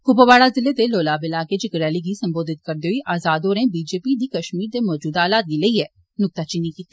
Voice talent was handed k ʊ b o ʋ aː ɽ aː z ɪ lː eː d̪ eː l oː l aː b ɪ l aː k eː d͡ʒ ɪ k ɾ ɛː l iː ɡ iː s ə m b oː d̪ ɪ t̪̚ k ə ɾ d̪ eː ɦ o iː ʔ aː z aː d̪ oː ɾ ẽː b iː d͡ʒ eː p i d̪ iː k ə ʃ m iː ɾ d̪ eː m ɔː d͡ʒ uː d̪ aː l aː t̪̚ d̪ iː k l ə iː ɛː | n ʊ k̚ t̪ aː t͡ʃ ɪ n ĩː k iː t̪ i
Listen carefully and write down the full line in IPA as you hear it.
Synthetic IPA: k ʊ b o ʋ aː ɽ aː z ɪ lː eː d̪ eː l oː l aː b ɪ l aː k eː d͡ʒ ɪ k ɾ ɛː l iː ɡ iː s ə m b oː d̪ ɪ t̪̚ k ə ɾ d̪ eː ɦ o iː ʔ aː z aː d̪ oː ɾ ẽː b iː d͡ʒ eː p i d̪ iː k ə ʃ m iː ɾ d̪ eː m ɔː d͡ʒ uː d̪ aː l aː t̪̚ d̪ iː l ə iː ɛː | n ʊ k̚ t̪ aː t͡ʃ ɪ n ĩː k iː t̪ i